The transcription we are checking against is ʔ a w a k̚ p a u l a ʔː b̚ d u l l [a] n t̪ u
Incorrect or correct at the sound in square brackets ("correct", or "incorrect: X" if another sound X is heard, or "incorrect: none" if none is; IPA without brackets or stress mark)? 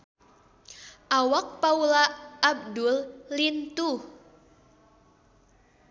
incorrect: i